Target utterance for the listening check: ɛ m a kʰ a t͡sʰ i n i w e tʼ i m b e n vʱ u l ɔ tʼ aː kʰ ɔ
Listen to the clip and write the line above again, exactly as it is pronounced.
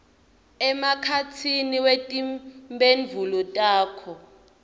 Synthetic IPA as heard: ɛ m a kʰ a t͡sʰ i n i w e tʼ i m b e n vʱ u l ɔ tʼ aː kʰ ɔ

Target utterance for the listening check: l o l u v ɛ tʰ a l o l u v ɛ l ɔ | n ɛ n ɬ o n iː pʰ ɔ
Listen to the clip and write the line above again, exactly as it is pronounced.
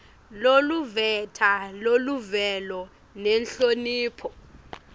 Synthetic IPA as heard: l o l u v ɛ tʰ a l o l u v ɛ l ɔ | n ɛ n ɬ o n iː pʰ ɔ

